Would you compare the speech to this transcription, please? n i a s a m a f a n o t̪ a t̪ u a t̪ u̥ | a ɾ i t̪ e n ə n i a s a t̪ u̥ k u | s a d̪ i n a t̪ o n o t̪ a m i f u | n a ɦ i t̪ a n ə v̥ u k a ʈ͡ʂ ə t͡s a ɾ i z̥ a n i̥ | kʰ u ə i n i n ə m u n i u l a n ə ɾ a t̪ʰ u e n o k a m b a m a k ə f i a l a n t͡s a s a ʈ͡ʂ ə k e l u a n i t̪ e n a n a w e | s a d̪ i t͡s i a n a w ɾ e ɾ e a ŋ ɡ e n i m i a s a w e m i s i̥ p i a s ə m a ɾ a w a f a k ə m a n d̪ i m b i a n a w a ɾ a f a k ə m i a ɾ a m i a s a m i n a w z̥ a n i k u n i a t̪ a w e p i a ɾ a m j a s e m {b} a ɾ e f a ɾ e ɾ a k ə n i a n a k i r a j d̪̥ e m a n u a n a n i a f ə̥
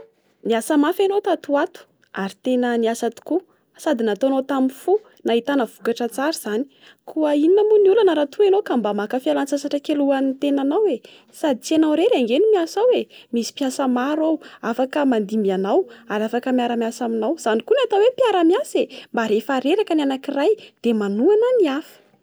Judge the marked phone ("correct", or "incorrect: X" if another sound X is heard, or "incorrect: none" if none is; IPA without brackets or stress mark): correct